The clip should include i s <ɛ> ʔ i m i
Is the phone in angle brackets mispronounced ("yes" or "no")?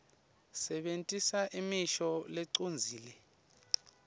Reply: yes